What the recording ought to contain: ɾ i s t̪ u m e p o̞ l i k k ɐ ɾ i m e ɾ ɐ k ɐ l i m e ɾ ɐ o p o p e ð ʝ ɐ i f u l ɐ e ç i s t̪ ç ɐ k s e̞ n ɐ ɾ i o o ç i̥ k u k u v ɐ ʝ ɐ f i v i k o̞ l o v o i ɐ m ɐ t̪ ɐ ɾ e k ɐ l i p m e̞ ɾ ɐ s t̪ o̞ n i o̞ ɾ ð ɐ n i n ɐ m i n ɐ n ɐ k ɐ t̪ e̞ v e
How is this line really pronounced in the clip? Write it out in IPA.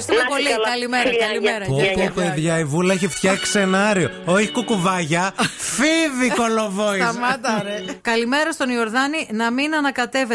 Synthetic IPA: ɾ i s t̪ u m e p o̞ l i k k ɐ l i m e ɾ ɐ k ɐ l i m e ɾ ɐ o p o p e ð ʝ ɐ i v u l ɐ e ç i f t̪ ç ɐ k s e̞ n ɐ ɾ i o o ç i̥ k u k u v ɐ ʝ ɐ f i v i k o̞ l o v o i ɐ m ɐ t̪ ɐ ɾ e k ɐ l i m e̞ ɾ ɐ s t̪ o̞ n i o̞ ɾ ð ɐ n i n ɐ m i n ɐ n ɐ k ɐ t̪ e̞ v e